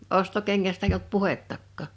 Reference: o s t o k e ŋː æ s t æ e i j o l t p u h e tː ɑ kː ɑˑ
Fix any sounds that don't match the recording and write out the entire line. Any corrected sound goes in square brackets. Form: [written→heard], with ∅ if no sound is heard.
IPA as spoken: o s t o k e ŋː æ s t æ e i j o l t p u h e tː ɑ kː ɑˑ